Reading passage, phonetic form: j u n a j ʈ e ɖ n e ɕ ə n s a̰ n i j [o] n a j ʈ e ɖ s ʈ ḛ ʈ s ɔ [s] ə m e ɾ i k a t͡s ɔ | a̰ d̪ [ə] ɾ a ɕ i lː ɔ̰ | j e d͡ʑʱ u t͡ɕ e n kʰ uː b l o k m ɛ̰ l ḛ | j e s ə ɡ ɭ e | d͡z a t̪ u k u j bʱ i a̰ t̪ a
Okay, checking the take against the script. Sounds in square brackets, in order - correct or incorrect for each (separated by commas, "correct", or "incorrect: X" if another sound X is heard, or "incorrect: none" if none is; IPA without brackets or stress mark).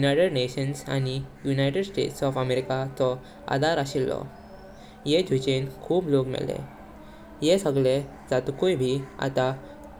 incorrect: u, incorrect: f, incorrect: a